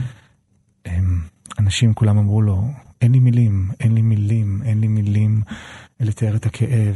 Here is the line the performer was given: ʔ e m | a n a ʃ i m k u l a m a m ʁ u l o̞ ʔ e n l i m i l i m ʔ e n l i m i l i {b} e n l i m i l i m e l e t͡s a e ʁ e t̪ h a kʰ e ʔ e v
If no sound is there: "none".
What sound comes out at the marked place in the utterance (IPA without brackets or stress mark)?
m